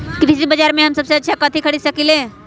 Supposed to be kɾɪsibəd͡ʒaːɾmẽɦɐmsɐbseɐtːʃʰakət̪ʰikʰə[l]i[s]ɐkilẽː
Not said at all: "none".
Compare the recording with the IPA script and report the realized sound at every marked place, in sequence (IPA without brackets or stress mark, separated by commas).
ɽ, s